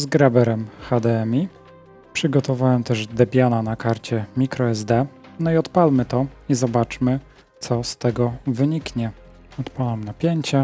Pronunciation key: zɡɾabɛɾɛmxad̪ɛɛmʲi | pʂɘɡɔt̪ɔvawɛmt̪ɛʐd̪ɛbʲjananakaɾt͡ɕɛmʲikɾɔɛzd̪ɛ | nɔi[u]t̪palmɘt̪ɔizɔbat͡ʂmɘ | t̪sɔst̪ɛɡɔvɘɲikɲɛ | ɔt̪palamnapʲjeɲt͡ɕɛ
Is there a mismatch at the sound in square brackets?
yes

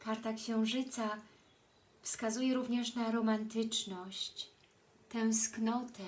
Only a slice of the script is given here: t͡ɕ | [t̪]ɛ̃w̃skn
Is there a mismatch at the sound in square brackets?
no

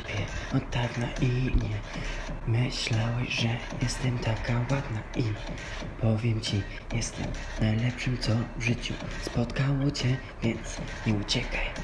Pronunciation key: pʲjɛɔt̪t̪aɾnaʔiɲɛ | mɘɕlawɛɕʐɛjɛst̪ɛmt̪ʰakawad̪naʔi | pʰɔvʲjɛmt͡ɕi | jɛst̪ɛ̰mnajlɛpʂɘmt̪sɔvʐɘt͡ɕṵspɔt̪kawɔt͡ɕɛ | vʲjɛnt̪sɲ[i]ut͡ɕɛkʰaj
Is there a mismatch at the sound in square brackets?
yes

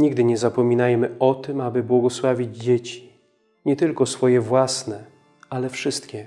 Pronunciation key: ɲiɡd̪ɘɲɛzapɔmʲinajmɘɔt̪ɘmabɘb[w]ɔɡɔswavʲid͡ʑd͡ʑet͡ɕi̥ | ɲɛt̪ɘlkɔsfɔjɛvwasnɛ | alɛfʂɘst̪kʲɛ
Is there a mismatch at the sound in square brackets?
no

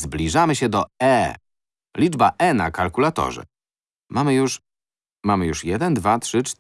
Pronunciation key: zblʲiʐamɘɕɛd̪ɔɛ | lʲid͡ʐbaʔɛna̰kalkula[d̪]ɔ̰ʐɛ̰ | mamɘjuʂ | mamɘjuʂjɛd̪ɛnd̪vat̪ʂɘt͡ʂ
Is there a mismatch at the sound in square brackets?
yes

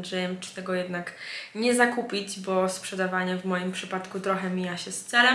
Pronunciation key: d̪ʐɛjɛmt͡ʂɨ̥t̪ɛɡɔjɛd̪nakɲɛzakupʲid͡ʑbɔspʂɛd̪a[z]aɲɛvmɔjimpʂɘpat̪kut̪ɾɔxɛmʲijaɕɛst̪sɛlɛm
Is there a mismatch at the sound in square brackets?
yes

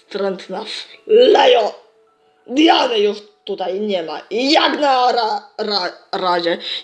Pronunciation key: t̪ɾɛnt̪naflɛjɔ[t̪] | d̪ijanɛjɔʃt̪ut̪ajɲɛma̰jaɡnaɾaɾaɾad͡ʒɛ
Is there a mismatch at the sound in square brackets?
yes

